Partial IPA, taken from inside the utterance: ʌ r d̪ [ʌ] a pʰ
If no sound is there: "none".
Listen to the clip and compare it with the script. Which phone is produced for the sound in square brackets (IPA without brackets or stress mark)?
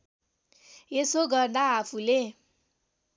a